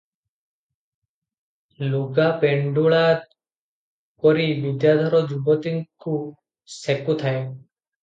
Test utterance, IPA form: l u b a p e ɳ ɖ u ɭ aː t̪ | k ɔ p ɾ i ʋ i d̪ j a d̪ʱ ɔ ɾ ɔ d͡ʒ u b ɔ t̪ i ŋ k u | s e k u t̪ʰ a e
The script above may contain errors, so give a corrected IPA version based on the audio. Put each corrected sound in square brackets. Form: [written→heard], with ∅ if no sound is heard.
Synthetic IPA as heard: l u [b→ɡ] a p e ɳ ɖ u ɭ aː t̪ | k ɔ [p→∅] ɾ i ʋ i d̪ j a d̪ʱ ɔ ɾ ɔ d͡ʒ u b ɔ t̪ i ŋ k u | s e k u t̪ʰ a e